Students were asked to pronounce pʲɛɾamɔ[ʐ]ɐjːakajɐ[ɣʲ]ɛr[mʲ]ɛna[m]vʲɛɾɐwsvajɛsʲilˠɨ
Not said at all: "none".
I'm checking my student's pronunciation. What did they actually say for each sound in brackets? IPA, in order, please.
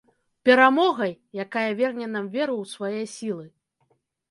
ɣ, vʲ, nʲ, m

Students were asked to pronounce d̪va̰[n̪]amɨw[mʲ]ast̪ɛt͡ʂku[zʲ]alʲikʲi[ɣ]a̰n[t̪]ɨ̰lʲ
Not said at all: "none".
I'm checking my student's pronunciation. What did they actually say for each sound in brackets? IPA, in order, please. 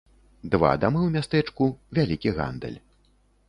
d̪, mʲ, vʲ, ɣ, d̪

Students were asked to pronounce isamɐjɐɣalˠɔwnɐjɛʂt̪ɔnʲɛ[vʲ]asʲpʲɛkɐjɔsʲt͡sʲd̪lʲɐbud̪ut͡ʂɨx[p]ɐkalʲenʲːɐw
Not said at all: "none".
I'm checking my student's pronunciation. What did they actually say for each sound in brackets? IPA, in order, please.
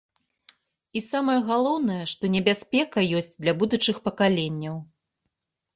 bʲ, p

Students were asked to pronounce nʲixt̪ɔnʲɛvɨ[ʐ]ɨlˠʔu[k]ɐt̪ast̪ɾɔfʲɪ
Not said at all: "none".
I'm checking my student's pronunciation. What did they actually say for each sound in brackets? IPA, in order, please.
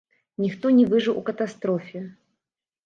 ʐ, k

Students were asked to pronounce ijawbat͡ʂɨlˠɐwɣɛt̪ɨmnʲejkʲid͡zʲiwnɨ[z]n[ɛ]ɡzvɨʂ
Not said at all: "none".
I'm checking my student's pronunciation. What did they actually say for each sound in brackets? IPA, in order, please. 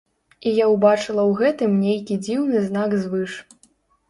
z, a

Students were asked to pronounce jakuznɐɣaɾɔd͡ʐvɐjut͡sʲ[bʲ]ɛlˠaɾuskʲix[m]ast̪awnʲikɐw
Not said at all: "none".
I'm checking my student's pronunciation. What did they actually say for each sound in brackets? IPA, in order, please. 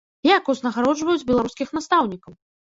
bʲ, n

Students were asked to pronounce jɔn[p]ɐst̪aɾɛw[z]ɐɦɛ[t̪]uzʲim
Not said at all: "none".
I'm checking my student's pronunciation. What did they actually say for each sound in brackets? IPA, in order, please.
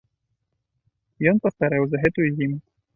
p, z, t̪

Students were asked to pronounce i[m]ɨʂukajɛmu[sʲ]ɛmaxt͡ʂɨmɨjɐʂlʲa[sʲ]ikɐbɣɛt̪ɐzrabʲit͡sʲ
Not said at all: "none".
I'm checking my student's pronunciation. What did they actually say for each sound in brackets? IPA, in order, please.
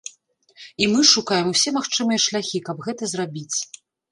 m, sʲ, xʲ

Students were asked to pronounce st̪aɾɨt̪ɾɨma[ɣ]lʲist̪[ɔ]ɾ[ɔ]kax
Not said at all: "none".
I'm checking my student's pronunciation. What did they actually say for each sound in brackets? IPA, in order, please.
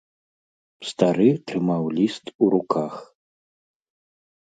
w, u, u

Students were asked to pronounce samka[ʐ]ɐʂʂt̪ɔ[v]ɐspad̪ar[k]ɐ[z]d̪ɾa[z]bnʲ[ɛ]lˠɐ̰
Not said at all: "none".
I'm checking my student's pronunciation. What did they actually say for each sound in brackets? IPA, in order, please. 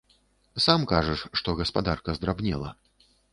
ʐ, ɣ, k, z, none, ɛ

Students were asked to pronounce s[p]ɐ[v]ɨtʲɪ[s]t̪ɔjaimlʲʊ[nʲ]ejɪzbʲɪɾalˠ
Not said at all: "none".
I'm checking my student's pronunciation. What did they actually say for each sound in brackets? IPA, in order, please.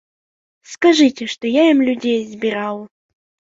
k, ʐ, ʂ, dʲ

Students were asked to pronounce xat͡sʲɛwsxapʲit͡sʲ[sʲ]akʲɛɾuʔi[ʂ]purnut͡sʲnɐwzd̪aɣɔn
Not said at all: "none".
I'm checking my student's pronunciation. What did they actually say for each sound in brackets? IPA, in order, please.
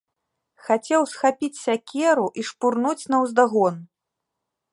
sʲ, ʂ

